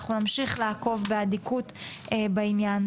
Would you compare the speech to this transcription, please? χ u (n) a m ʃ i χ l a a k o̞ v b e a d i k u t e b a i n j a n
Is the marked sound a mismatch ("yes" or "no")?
no